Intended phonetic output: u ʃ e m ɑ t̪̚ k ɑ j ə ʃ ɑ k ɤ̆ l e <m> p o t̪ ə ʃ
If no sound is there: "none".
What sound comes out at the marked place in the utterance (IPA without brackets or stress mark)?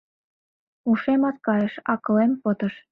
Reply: m